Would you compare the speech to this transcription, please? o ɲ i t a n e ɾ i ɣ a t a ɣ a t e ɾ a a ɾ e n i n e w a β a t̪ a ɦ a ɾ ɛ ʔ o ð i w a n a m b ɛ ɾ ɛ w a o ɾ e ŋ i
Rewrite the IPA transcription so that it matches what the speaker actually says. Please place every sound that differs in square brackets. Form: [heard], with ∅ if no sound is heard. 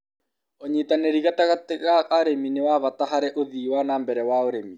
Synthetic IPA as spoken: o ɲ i t a n e ɾ i ɣ a t a ɣ a t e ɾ a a ɾ e [m] i n e w a β a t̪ a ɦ a ɾ ɛ ʔ o ð i w a n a m b ɛ ɾ ɛ w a o ɾ e [m] i